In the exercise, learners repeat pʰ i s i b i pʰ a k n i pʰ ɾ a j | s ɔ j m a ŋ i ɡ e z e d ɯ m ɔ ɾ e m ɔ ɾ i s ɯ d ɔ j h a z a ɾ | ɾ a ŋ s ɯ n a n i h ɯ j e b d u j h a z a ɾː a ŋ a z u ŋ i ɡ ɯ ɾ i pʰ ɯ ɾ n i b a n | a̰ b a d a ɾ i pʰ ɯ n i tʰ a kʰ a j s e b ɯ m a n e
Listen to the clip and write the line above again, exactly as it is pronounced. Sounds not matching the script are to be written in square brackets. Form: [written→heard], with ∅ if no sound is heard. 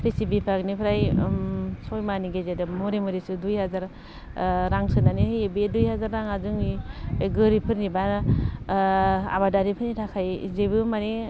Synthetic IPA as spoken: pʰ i s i b i pʰ a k n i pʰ ɾ a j | s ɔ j m a [ŋ→n] i ɡ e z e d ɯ m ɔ ɾ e m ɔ ɾ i s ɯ d [ɔ→u] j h a z a ɾ | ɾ a ŋ s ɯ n a n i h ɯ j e b d u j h a z a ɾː a ŋ a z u ŋ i ɡ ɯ ɾ i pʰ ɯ ɾ n i b a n | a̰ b a d a ɾ i pʰ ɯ n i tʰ a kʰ a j [s→z] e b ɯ m a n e